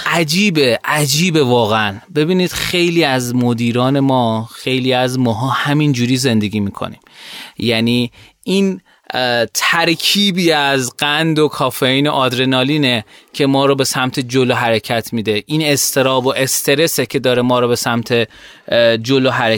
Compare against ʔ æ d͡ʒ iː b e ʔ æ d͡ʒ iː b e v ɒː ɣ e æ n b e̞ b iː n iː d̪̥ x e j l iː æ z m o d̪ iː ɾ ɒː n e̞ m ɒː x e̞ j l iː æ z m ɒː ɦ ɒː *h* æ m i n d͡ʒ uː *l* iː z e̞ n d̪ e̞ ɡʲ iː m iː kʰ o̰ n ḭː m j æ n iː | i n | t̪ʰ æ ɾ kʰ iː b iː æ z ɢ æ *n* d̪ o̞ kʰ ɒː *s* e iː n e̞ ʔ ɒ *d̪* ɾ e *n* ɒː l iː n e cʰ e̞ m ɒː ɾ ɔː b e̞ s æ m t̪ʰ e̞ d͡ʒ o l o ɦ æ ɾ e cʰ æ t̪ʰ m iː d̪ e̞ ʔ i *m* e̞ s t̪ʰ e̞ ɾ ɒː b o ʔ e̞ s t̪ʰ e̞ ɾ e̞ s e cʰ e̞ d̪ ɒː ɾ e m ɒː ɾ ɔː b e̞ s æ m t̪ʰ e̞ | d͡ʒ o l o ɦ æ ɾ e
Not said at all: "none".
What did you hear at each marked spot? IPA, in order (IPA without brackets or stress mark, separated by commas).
h, ɾ, n, f, d̪, n, n